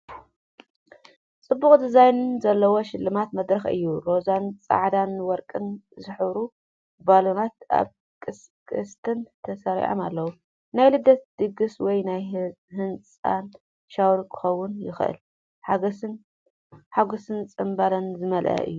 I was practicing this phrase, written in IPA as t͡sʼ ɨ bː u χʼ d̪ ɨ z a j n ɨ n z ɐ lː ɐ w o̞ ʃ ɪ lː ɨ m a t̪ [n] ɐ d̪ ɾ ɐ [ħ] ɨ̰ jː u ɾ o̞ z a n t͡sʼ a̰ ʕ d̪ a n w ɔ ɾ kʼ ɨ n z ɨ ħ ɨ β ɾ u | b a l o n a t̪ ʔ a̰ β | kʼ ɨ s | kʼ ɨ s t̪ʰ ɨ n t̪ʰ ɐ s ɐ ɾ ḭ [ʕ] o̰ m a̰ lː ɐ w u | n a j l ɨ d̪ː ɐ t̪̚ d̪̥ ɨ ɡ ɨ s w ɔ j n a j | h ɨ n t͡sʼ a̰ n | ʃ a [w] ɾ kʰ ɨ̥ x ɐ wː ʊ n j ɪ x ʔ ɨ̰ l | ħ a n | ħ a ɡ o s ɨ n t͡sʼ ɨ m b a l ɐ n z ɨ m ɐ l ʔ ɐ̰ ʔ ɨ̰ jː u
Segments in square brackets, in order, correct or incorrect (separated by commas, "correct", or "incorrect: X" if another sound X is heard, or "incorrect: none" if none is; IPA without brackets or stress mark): incorrect: m, incorrect: x, correct, correct